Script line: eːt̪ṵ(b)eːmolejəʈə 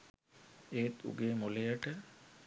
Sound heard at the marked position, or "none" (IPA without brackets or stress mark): ɡ